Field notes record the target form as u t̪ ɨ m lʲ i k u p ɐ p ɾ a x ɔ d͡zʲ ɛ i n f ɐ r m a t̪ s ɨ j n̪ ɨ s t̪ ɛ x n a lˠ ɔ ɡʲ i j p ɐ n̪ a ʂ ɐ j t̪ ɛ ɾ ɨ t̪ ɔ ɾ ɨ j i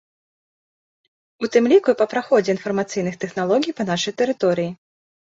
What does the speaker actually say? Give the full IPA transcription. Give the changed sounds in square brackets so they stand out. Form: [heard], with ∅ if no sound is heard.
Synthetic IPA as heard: u t̪ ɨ m lʲ i k u p ɐ p ɾ a x ɔ d͡zʲ ɛ i n f ɐ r m a t̪ s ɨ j n̪ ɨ [x] t̪ ɛ x n a lˠ ɔ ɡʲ i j p ɐ n̪ a ʂ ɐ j t̪ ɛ ɾ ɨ t̪ ɔ ɾ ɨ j i